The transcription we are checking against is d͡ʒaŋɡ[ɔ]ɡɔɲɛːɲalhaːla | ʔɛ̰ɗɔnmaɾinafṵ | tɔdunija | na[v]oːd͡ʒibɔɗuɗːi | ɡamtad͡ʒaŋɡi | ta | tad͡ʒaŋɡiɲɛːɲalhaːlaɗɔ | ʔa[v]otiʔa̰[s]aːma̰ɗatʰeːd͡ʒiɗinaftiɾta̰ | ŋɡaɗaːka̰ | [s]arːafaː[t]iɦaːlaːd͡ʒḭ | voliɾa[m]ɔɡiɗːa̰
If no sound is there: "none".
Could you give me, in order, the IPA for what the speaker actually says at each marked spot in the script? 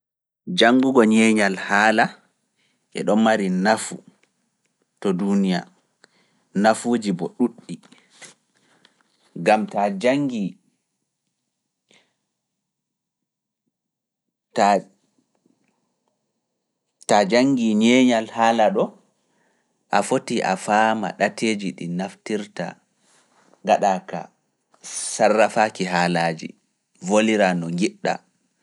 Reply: u, f, f, f, s, k, n

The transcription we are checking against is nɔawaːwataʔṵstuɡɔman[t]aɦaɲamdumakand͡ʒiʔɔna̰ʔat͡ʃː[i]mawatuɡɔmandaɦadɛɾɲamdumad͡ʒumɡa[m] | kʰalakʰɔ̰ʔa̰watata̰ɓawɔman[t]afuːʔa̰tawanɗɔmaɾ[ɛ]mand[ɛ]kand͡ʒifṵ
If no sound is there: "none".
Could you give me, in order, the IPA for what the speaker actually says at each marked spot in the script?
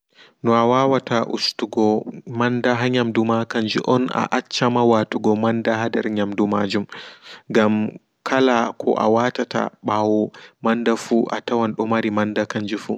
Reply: d, a, m, d, i, a

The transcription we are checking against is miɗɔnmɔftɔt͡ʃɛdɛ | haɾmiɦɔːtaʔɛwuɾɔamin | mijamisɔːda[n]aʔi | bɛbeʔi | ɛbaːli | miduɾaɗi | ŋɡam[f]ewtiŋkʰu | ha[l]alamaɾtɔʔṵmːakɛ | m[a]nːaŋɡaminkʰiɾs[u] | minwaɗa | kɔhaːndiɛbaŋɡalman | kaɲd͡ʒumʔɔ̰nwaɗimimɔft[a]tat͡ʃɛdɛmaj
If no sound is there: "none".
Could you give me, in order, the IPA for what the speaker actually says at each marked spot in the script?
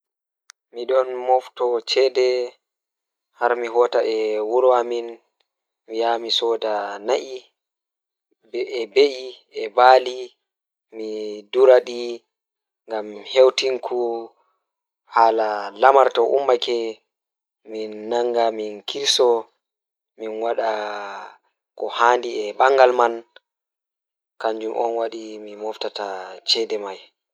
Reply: n, h, l, i, ɔ, a

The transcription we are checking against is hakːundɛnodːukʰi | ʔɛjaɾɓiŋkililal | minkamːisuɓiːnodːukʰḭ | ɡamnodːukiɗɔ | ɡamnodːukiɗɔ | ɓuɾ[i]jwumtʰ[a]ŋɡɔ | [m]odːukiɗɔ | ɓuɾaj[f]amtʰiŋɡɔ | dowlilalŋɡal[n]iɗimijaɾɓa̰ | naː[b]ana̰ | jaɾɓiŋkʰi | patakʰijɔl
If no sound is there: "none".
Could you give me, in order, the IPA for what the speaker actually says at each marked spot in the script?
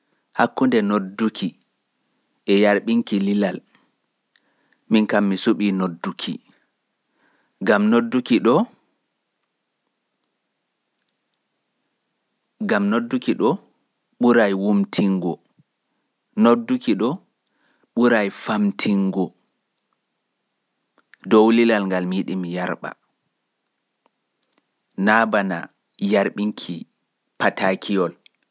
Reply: a, i, n, f, m, b

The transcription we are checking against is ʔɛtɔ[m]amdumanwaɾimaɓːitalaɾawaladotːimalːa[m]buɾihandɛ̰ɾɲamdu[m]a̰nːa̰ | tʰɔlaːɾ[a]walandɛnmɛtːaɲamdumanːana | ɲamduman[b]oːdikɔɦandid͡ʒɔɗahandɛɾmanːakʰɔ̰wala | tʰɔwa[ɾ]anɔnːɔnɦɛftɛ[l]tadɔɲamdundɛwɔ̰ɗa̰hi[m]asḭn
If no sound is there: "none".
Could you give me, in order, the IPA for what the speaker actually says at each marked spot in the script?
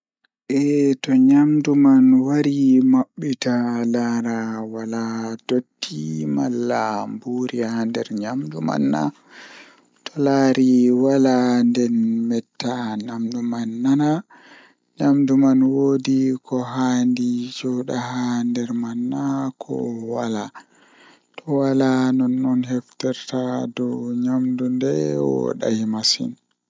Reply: ɲ, m, m, i, w, l, ɾ, m

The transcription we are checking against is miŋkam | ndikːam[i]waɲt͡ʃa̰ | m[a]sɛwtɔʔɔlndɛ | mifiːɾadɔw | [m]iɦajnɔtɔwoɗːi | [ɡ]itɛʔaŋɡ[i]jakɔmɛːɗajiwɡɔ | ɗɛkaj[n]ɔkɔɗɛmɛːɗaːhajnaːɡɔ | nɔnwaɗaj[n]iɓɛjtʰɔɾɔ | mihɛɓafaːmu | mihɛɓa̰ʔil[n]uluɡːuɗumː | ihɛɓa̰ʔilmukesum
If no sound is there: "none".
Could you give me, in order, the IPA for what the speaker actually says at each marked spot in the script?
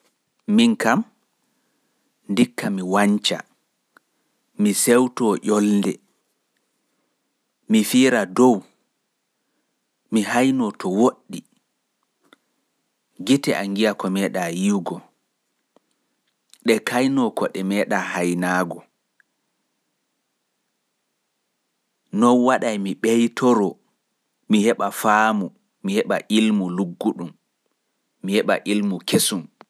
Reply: i, i, m, ɡ, i, n, m, m

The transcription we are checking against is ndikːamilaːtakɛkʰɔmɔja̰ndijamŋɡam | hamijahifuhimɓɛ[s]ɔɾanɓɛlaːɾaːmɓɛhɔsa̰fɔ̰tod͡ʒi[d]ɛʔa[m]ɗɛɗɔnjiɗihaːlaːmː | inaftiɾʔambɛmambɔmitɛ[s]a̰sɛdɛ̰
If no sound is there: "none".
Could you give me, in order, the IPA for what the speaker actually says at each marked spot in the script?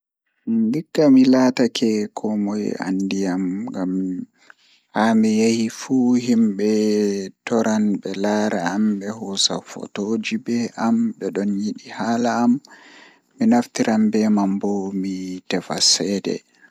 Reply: t, b, m, f

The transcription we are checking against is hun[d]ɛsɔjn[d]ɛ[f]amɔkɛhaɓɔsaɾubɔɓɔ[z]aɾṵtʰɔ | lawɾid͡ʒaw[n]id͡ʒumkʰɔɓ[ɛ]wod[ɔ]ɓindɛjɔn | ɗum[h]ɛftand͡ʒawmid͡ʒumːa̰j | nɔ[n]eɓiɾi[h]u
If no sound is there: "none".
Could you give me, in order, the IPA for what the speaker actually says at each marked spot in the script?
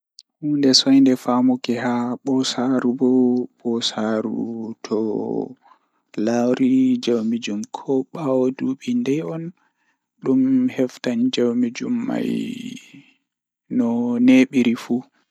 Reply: d, d, f, s, m, a, u, h, n, f

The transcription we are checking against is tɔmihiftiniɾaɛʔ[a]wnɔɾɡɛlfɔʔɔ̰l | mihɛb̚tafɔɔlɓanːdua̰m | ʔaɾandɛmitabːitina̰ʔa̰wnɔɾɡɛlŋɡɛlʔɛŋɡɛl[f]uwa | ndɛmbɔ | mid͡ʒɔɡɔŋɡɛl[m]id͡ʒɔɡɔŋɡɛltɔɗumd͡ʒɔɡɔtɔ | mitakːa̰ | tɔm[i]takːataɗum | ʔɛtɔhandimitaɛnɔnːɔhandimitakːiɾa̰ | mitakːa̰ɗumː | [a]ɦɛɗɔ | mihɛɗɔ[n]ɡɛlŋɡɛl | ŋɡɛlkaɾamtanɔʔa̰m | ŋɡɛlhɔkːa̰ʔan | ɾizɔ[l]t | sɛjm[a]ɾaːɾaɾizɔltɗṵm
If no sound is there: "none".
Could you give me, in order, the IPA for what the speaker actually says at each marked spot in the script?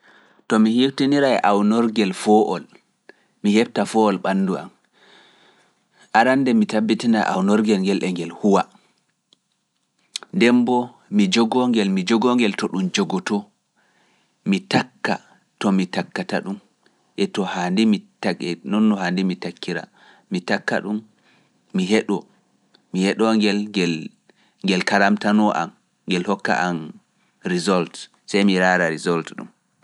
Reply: a, h, m, i, i, ŋ, l, i

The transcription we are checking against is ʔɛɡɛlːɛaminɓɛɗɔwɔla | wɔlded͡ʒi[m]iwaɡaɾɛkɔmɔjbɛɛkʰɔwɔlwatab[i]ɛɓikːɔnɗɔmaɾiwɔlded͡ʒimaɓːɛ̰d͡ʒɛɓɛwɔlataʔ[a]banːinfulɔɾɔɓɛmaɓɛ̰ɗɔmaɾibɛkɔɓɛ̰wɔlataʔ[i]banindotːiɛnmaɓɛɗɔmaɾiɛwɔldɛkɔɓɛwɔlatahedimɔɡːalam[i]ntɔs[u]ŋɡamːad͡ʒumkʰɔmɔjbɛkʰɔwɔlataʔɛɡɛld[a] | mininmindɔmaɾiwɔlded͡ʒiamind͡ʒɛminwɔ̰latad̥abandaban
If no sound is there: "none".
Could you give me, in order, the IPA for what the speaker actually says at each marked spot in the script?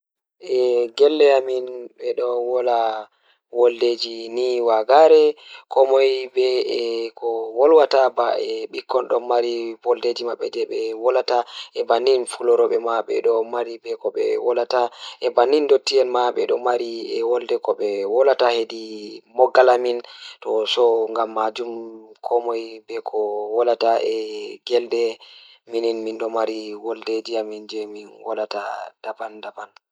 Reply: n, a, ɛ, ɛ, i, ɔ, ɛ

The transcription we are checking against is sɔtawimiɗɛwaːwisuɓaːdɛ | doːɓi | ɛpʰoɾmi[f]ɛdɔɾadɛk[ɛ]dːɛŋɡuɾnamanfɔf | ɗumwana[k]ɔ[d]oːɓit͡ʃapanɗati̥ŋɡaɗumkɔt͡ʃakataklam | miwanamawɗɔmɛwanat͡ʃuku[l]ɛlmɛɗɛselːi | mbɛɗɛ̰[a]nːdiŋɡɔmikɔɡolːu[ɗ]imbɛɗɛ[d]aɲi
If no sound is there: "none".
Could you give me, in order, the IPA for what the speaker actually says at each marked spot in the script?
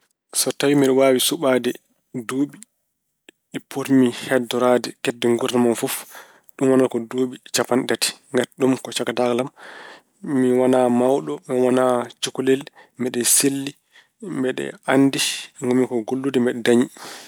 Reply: h, ɛ, k, d, l, a, d, d

